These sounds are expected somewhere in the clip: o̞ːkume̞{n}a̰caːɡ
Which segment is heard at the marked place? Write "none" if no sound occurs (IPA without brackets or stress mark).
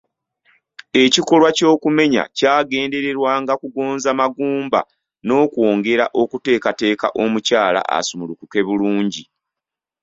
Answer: ɲ